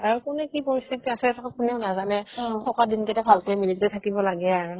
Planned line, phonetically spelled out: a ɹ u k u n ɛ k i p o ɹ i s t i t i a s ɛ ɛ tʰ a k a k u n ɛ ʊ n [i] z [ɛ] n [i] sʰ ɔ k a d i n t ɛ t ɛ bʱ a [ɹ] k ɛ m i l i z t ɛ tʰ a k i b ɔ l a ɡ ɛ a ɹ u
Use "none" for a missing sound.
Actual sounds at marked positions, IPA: a, a, ɛ, l

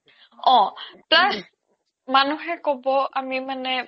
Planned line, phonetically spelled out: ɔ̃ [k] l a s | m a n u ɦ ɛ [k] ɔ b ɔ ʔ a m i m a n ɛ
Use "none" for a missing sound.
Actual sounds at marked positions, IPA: p, k

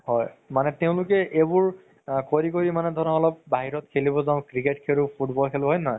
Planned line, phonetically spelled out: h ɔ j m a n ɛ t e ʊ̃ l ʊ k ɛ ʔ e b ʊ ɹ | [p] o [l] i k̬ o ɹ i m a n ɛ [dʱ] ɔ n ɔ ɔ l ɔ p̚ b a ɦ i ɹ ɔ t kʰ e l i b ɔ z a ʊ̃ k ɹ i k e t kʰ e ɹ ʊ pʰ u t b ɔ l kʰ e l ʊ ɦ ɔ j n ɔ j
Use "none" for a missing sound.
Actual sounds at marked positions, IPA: k, ɹ, dʱ

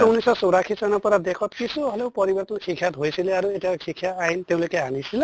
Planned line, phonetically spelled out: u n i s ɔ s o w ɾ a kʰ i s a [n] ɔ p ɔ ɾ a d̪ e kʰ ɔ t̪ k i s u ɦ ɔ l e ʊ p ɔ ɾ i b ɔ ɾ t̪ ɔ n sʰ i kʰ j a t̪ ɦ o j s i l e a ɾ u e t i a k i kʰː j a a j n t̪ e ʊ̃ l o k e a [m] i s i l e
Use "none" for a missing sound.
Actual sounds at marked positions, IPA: n, n

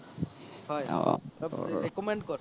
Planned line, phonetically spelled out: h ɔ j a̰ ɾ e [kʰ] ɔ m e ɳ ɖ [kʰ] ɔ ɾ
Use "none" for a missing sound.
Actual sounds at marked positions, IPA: k, k

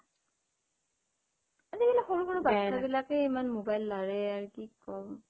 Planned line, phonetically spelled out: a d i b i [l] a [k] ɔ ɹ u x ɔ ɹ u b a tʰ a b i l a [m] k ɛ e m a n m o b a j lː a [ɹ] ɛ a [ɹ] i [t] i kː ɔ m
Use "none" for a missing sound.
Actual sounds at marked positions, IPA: l, x, none, ɹ, ɹ, k

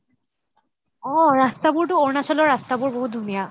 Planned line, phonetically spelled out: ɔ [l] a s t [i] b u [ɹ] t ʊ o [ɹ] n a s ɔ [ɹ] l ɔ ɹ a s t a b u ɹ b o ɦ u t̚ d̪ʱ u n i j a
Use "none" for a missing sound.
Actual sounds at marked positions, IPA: ɹ, a, ɹ, ɹ, none

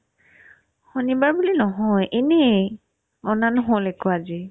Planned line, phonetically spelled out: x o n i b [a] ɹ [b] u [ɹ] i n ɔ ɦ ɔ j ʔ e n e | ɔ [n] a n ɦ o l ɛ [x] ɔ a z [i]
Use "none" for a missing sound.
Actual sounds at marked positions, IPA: a, b, l, n, k, i

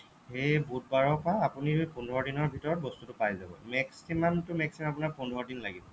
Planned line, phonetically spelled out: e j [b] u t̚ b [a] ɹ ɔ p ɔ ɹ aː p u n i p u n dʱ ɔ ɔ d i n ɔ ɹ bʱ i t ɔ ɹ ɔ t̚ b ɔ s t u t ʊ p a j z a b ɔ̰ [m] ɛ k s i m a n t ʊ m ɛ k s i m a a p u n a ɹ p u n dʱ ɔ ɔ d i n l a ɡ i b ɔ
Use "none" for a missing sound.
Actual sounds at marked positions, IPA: b, a, m

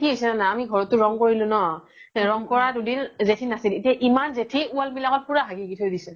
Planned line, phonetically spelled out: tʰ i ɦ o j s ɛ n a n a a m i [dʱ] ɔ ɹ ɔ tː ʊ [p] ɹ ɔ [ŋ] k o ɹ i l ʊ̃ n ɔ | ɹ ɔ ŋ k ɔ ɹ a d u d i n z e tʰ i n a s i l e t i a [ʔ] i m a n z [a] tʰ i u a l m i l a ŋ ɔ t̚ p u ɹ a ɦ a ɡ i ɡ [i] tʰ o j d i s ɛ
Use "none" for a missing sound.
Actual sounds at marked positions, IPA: ɡʱ, none, ŋ, ʔ, e, i

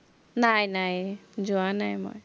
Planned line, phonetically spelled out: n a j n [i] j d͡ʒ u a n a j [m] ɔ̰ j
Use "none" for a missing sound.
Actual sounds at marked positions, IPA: a, m

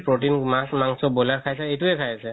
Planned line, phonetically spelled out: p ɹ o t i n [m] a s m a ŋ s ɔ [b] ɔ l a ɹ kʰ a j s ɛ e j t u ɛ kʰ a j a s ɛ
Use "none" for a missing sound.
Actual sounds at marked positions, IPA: m, b

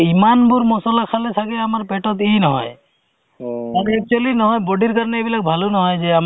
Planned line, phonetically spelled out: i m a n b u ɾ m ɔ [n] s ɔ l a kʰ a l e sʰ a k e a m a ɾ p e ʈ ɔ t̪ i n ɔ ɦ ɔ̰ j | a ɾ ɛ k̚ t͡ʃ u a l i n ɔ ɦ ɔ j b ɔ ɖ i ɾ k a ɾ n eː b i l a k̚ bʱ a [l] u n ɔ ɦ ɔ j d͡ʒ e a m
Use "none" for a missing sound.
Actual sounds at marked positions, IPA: none, l

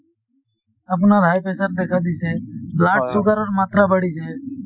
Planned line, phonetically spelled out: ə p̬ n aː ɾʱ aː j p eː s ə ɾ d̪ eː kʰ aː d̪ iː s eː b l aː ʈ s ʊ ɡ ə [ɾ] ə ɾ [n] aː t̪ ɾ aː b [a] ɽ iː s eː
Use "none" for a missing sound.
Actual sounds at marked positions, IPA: ɾ, m, ə

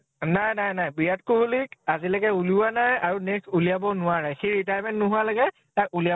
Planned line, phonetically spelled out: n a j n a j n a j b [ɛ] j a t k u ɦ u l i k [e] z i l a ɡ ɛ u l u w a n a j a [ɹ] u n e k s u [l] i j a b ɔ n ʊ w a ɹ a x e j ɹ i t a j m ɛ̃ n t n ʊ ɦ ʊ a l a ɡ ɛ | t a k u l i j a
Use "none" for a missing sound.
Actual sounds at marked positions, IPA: i, a, ɹ, l

